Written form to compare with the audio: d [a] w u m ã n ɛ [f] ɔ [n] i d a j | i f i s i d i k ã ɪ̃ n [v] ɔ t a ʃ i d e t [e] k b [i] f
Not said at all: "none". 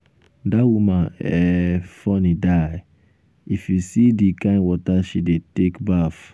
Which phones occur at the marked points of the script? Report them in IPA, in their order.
a, f, n, w, e, a

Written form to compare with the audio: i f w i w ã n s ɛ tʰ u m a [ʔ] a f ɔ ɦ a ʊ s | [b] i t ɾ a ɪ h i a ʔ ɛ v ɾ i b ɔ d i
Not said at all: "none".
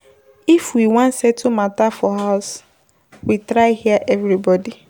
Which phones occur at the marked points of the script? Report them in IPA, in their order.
t, w

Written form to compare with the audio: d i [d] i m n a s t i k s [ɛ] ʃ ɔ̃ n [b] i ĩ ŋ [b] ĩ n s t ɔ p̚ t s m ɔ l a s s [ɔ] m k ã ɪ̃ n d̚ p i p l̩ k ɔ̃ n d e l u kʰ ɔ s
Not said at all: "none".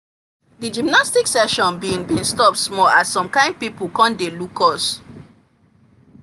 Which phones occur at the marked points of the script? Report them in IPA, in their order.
d͡ʒ, ɛ, b, b, ɔ̃

